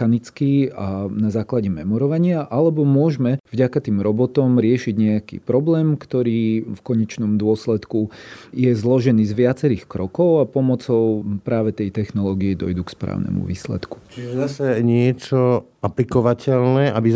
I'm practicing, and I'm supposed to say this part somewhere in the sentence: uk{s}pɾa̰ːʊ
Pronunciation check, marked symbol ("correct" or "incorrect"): correct